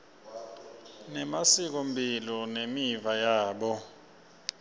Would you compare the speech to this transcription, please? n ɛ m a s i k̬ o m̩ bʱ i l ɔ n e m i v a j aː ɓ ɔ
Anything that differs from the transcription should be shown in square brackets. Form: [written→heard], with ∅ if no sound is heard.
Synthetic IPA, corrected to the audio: n ɛ m a s i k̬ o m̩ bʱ i l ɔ n e m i v a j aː ɓ ɔ